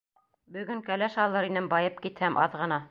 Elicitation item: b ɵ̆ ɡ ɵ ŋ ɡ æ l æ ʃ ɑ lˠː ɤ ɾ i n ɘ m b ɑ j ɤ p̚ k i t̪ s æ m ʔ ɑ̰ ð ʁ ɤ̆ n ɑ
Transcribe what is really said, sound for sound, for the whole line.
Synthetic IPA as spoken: b ɵ̆ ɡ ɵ ŋ k æ l æ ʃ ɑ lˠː ɤ ɾ i n ɘ m b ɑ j ɤ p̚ k i t̪ h æ m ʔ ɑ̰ ð ʁ ɤ̆ n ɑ